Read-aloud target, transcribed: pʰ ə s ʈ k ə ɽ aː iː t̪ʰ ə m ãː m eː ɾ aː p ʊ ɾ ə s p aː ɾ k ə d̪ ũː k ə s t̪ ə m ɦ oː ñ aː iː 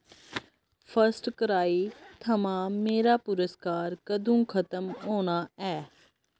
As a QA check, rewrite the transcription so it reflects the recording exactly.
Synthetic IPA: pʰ ə s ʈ k ə ɾ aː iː t̪ʰ ə m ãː m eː ɾ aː p ʊ ɾ ə s k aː ɾ k ə d̪ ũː kʰ ə t̪ ə m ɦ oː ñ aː ɛː